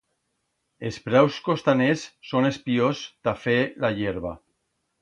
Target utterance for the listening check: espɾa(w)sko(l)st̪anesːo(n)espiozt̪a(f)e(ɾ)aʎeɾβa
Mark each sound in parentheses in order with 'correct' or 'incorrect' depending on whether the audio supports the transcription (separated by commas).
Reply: correct, incorrect, correct, correct, incorrect